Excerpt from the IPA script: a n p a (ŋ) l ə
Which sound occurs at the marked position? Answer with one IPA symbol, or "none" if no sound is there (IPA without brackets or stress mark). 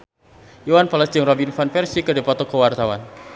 none